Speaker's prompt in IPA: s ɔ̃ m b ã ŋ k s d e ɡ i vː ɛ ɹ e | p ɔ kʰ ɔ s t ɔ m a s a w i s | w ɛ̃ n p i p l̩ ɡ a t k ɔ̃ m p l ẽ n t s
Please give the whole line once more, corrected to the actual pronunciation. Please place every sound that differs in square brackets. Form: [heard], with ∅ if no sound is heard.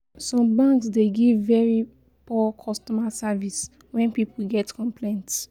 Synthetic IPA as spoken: s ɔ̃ m b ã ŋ k s d e ɡ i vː ɛ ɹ [i] | p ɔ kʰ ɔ s t ɔ m a s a [v] i s | w ɛ̃ n p i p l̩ ɡ [ɛ] t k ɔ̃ m p l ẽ n t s